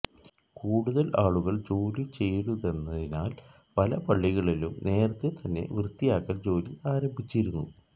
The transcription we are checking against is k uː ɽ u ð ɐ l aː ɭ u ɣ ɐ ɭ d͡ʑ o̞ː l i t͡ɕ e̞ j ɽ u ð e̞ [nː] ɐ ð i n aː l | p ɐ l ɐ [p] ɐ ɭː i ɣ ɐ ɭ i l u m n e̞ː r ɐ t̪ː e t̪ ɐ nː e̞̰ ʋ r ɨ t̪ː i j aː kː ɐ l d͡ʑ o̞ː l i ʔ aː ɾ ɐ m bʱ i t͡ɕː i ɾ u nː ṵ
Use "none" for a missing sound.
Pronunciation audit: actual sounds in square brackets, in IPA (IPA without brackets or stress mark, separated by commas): nː, p